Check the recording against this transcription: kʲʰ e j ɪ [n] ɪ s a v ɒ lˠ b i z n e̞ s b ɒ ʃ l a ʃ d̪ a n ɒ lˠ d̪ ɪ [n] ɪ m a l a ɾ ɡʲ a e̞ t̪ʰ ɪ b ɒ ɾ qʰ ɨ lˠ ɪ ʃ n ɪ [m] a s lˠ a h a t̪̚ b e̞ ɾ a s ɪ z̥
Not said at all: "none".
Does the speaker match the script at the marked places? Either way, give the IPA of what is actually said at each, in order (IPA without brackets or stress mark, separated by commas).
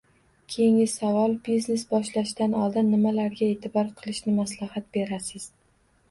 ŋ, nː, m